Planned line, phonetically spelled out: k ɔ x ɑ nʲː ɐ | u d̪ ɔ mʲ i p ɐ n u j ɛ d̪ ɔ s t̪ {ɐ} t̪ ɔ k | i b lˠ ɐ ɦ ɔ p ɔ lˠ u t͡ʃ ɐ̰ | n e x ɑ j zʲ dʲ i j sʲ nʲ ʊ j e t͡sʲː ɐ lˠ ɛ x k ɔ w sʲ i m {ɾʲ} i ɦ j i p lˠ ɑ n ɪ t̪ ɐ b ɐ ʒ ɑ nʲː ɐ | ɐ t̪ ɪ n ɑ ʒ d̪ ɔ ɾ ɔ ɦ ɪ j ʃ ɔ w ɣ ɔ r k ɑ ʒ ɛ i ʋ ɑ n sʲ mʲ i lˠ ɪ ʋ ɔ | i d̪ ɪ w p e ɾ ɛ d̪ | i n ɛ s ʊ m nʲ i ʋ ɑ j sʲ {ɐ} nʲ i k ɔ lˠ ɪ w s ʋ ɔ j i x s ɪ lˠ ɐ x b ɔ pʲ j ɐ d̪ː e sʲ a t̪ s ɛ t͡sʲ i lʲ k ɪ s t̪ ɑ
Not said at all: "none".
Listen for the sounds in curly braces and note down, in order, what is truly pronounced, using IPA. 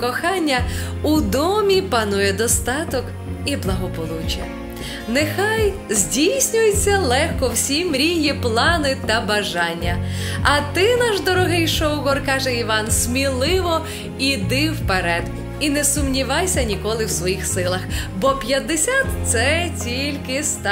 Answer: ɑ, ɾʲ, ɐ

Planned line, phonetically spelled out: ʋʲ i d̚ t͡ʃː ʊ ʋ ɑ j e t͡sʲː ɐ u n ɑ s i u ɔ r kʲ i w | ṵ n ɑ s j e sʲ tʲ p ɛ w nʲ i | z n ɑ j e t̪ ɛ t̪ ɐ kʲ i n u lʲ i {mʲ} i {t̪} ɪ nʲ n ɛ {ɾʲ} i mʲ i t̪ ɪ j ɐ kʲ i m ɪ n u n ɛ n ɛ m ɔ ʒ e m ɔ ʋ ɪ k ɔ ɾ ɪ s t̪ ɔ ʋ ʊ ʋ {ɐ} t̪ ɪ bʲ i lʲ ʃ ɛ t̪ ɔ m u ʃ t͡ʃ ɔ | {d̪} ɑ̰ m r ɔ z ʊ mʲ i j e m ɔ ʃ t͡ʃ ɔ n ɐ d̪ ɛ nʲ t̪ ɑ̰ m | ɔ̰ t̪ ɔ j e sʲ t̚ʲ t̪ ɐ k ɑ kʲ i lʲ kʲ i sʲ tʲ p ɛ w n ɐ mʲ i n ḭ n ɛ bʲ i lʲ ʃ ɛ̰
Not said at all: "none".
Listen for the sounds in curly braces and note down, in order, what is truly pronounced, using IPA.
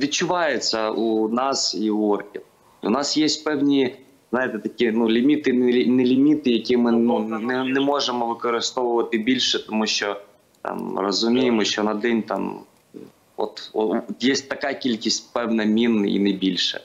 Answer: mʲ, t̪, lʲ, ɐ, t̪

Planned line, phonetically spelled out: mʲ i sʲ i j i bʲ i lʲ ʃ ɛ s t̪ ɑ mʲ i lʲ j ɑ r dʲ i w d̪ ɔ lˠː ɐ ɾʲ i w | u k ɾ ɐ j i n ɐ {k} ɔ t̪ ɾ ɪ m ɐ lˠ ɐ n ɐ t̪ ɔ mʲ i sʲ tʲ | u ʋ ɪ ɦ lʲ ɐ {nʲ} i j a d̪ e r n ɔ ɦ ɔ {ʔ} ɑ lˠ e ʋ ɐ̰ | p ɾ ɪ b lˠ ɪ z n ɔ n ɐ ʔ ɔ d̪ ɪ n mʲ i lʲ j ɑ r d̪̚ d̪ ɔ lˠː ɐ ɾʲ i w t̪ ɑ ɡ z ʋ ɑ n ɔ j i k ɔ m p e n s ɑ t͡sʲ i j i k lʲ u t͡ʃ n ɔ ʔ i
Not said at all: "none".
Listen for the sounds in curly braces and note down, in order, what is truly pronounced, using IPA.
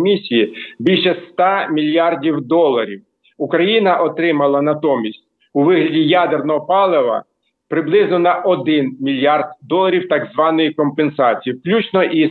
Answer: ʔ, dʲ, p

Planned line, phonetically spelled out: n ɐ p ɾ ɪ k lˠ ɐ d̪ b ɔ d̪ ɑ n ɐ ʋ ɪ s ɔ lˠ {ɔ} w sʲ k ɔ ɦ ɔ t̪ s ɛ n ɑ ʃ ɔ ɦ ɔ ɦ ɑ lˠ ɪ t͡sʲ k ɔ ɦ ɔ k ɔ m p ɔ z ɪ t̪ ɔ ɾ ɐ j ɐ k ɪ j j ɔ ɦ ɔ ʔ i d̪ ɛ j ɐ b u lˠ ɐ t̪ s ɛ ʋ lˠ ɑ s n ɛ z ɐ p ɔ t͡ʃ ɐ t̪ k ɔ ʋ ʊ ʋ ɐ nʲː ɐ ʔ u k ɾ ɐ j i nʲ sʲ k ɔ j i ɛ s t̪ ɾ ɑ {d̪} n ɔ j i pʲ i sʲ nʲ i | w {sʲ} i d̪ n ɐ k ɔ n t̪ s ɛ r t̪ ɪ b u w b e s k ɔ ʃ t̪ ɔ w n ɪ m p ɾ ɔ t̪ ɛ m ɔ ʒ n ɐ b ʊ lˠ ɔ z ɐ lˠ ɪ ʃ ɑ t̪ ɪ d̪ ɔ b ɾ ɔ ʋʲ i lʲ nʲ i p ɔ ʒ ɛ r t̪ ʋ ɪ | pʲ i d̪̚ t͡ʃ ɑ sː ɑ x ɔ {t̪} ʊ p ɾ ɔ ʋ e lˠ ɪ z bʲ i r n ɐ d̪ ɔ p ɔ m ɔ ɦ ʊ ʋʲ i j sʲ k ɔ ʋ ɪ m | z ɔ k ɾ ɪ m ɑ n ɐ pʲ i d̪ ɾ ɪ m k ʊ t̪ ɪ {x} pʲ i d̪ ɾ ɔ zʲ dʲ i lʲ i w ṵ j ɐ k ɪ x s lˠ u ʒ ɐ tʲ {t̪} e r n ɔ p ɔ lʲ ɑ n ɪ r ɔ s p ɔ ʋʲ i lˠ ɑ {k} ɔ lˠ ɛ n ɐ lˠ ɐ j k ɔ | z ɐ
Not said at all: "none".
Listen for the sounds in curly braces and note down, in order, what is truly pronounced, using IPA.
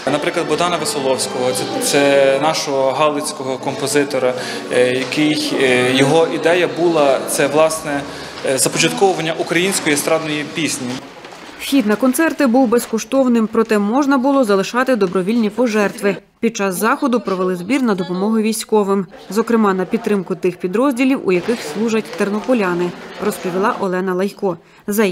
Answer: ɔ, d̪, xʲ, d̪, x, t̪, ʔ

